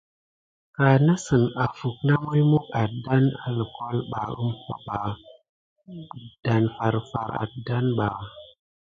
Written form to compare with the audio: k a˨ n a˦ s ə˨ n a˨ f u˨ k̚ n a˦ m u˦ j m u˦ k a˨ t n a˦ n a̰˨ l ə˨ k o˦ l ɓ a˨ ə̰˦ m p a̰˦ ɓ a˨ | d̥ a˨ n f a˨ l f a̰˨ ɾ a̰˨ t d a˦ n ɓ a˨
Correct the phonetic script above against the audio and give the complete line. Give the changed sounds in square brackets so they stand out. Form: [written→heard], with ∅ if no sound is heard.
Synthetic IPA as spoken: k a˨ n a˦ s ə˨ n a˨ f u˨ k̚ n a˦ m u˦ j m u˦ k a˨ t [n→d] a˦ n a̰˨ l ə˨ k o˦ l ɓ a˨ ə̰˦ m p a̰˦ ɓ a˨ | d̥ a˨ n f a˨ [l→ɾ] f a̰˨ ɾ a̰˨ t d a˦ n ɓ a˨

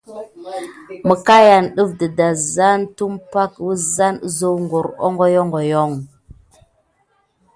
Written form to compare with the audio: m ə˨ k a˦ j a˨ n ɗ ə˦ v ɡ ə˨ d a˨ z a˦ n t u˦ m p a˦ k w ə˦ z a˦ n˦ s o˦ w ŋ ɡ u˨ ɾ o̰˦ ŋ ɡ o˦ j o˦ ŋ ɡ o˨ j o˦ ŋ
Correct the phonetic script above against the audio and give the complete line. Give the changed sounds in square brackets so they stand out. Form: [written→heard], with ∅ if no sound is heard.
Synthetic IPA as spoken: m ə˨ k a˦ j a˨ n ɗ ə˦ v [ɡ→d] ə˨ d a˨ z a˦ n t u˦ m p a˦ k w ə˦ z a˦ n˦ [s→z] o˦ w ŋ ɡ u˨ ɾ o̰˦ ŋ ɡ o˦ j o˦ ŋ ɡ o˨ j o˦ ŋ

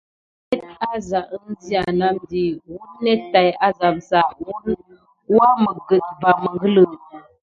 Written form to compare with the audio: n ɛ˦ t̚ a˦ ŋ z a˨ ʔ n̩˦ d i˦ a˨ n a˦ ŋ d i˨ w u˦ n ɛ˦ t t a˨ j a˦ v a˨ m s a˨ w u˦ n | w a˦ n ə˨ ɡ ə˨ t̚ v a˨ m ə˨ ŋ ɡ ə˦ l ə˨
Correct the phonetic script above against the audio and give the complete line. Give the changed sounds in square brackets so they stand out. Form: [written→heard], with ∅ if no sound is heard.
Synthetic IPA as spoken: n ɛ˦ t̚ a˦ [ŋ→∅] z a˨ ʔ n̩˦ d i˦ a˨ n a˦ [ŋ→m] d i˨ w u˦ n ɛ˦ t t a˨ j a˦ [v→z] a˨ m s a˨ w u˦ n | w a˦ [n→m] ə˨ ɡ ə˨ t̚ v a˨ m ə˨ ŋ ɡ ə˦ l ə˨

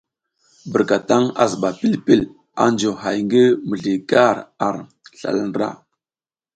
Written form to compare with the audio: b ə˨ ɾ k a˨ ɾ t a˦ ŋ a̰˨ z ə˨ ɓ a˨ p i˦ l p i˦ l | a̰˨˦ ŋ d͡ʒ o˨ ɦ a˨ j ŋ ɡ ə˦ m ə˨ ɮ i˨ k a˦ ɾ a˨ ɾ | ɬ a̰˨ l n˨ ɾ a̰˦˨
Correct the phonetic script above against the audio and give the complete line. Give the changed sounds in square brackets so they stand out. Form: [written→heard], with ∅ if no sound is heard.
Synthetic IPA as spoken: b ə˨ ɾ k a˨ [ɾ→∅] t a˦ ŋ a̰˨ z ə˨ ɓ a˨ p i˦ l p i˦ l | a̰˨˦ [ŋ→n] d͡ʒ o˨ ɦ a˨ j ŋ ɡ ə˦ m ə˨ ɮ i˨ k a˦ ɾ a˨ ɾ | ɬ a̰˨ l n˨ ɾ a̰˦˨

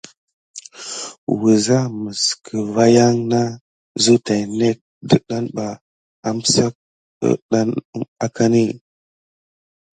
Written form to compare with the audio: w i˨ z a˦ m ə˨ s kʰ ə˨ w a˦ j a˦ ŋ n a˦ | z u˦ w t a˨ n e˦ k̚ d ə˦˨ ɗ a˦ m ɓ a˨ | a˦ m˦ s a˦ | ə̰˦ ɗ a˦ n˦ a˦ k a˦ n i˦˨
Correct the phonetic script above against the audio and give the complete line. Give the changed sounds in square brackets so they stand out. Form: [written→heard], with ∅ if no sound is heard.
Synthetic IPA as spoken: w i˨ z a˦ m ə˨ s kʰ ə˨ [w→v] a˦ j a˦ ŋ n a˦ | z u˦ [w→∅] t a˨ n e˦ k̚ d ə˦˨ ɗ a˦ [m→n] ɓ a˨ | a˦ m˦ s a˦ | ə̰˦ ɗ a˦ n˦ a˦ k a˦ n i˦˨

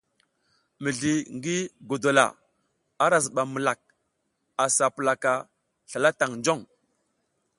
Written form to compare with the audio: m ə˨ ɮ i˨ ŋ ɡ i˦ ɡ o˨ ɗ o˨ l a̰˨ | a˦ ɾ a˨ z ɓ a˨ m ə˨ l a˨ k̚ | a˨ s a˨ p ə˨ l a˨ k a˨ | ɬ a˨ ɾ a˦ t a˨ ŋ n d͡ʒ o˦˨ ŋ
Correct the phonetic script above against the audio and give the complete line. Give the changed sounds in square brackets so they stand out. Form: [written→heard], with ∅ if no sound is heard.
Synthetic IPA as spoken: m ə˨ ɮ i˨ ŋ ɡ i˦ ɡ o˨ [ɗ→d] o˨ l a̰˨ | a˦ ɾ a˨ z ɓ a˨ m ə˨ l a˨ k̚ | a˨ s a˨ p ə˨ l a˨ k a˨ | ɬ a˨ [ɾ→l] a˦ t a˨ ŋ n d͡ʒ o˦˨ ŋ

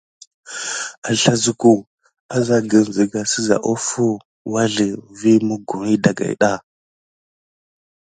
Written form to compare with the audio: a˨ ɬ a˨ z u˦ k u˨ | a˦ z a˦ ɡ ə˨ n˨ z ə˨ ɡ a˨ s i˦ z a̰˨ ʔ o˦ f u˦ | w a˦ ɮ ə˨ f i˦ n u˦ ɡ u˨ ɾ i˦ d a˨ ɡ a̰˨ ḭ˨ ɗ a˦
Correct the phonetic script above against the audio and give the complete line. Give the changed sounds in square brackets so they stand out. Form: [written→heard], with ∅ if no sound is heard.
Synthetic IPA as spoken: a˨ ɬ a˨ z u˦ k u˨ | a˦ z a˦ ɡ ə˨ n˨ z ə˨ ɡ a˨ s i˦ z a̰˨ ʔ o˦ f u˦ | w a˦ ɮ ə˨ [f→v] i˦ [n→m] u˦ ɡ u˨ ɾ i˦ d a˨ ɡ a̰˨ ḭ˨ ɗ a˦

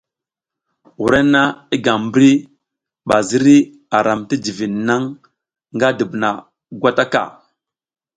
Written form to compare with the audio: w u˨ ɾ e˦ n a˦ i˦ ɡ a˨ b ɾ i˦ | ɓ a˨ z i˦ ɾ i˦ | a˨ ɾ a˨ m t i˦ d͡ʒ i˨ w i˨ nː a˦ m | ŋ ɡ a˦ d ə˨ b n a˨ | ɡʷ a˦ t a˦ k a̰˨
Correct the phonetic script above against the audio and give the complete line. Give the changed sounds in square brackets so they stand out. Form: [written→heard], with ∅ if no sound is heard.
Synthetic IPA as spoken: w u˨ ɾ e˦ n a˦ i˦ ɡ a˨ b ɾ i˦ | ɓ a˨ z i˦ ɾ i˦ | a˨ ɾ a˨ m t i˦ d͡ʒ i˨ [w→v] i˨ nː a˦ [m→ŋ] | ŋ ɡ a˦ d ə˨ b n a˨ | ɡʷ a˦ t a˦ k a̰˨

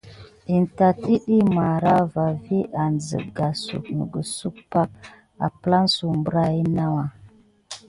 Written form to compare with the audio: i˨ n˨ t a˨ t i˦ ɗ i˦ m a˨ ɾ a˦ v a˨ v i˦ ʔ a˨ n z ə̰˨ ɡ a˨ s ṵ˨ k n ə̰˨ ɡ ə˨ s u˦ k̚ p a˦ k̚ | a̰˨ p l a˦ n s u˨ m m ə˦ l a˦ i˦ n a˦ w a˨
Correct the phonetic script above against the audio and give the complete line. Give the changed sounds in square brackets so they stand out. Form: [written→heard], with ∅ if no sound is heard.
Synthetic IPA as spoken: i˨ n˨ t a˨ t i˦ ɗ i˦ m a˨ ɾ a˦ v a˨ v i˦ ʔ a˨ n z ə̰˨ ɡ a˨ s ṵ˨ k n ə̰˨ ɡ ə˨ s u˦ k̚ p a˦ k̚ | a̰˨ p l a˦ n s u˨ m [m→b] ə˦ [l→ɾ] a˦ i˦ n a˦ w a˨

